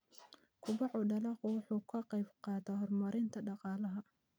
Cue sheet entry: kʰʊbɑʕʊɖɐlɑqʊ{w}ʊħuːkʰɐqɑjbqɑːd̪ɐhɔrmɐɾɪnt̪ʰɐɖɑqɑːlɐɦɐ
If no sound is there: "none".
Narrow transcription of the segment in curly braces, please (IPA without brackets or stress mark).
w